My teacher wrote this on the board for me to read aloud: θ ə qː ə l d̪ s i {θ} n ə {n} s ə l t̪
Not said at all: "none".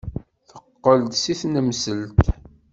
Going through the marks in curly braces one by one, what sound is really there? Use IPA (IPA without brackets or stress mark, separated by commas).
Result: θ, m